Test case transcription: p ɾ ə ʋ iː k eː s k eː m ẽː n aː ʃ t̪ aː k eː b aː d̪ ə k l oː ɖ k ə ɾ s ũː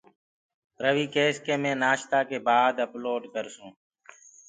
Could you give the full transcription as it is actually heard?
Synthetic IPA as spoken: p ɾ ə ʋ iː k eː s k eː m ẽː n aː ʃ t̪ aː k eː b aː d̪ ə p l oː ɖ k ə ɾ s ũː